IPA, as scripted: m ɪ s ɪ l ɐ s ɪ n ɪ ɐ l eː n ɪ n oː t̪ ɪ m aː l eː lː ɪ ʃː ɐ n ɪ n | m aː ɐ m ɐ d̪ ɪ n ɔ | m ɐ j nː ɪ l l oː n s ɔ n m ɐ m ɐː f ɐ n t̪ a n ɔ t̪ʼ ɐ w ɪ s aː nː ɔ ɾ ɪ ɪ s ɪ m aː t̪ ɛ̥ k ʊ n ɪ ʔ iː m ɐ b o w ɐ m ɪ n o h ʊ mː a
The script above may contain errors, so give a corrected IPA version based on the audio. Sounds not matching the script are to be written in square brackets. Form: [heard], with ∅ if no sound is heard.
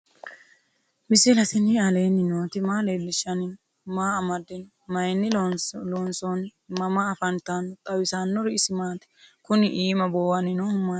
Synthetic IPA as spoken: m ɪ s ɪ l ɐ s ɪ n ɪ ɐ l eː n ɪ n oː t̪ ɪ m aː l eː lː ɪ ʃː ɐ n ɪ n | m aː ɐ m ɐ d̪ ɪ n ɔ | m ɐ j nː ɪ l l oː n s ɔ n m ɐ m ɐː f ɐ n t̪ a n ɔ t̪ʼ ɐ w ɪ s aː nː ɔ ɾ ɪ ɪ s ɪ m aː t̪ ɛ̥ k ʊ n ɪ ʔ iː m ɐ b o w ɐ [n] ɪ n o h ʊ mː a